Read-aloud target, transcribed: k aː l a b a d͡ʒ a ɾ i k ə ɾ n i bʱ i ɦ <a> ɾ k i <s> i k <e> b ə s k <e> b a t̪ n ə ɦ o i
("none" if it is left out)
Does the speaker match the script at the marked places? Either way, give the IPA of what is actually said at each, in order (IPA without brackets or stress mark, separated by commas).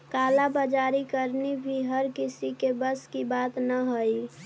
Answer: ə, s, e, i